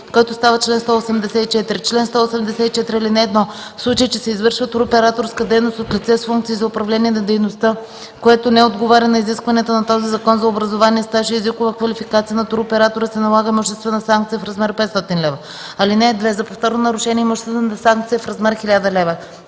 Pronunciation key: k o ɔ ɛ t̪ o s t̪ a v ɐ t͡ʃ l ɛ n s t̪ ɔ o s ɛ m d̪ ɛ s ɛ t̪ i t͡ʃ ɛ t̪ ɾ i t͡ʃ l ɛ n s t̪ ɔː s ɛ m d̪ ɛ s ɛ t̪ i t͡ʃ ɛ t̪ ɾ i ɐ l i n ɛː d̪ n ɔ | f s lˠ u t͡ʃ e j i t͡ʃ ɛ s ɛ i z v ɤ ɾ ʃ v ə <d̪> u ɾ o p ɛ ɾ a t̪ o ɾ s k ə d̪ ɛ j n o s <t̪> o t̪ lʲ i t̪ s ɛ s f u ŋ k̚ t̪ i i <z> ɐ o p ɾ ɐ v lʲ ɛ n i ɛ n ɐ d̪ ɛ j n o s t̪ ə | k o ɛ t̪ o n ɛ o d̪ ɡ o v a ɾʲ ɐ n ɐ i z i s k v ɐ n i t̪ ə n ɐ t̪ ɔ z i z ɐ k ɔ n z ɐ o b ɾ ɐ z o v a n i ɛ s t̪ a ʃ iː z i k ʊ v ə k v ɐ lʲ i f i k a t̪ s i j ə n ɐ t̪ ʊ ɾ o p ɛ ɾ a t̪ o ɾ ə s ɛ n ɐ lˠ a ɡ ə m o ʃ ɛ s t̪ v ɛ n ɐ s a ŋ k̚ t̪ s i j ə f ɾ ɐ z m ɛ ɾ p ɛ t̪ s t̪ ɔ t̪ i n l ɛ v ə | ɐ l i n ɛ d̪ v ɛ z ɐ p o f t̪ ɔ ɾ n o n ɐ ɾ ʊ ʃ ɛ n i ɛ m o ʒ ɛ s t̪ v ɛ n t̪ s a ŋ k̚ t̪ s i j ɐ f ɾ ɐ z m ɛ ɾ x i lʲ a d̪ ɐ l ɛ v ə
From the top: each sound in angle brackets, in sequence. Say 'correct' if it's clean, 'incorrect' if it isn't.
incorrect: t̪, correct, correct

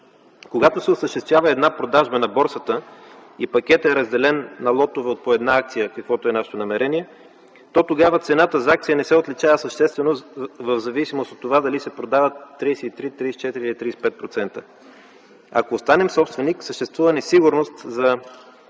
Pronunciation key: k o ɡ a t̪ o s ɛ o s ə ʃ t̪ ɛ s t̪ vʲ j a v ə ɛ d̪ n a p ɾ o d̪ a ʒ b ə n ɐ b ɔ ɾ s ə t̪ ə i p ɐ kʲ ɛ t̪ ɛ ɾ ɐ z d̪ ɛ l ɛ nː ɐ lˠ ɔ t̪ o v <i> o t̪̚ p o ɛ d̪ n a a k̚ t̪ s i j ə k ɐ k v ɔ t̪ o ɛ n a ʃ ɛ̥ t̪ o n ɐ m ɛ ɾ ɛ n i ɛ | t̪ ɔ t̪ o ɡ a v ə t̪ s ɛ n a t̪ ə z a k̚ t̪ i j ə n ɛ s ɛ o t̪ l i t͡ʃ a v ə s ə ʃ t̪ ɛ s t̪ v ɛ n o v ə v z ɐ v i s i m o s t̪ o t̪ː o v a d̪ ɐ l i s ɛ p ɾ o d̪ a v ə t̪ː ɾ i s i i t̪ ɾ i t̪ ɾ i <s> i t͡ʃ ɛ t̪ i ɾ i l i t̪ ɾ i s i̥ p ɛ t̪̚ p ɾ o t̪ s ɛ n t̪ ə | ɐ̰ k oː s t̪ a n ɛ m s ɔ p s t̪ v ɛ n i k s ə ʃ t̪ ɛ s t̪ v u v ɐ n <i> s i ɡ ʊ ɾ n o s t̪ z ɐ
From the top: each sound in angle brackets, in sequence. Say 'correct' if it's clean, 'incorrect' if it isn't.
incorrect: ɛ, correct, incorrect: ɛ

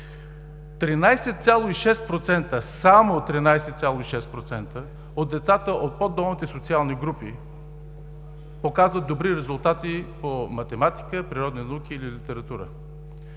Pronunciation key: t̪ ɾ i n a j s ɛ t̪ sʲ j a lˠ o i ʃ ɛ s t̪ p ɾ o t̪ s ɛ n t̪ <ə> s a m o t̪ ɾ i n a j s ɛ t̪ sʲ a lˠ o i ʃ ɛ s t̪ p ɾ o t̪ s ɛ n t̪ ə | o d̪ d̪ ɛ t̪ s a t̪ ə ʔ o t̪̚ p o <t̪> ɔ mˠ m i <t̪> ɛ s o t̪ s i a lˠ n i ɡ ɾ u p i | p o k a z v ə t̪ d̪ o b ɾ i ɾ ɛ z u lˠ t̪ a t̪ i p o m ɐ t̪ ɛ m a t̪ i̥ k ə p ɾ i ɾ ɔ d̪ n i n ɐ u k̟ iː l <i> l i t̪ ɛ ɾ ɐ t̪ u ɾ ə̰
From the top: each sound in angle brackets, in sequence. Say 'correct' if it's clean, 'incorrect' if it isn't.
correct, incorrect: d̪, correct, correct

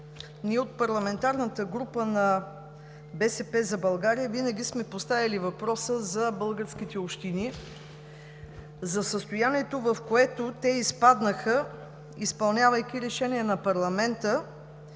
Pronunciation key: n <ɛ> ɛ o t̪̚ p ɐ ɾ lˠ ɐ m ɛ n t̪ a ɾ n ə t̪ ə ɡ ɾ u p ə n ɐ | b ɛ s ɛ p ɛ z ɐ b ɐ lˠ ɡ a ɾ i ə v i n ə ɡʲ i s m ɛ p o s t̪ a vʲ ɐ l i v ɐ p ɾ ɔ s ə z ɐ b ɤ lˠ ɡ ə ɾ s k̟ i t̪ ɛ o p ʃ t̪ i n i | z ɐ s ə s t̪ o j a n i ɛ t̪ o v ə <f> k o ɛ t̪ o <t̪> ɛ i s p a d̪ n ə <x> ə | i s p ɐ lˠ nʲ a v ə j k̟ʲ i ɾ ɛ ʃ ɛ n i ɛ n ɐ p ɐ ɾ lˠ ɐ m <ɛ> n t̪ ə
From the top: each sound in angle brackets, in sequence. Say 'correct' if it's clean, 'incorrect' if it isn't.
incorrect: i, correct, correct, correct, correct

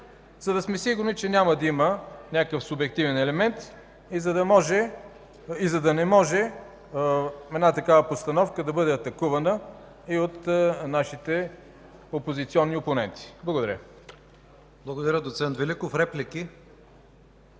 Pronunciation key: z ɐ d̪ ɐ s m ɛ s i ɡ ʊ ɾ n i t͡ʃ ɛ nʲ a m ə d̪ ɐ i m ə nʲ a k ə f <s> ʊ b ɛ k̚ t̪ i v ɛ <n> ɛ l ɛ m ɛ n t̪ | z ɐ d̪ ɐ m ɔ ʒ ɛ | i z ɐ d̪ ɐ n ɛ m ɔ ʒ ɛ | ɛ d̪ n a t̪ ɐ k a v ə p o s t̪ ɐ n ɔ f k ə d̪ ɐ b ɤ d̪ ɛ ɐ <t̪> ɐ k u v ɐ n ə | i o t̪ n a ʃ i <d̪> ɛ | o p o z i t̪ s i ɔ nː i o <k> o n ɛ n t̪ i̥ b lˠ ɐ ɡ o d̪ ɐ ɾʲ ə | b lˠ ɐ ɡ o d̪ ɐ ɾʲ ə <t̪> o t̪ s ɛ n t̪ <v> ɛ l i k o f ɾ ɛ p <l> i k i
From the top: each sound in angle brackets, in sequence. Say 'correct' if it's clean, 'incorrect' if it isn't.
correct, correct, correct, incorrect: t̪, incorrect: p, incorrect: d̪, correct, correct

